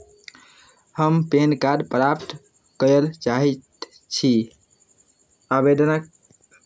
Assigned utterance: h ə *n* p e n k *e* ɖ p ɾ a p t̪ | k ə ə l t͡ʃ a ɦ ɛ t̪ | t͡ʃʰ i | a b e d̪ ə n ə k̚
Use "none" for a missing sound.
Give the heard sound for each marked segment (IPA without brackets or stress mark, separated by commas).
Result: m, a